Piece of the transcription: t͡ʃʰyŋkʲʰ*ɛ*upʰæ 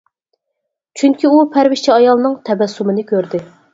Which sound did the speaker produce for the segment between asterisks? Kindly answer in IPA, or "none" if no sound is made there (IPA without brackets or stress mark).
i